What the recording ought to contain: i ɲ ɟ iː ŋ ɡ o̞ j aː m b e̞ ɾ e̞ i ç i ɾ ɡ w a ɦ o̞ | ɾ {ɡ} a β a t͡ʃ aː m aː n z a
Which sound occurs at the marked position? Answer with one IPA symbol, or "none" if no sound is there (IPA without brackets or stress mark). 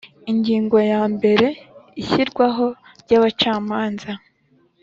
ɟ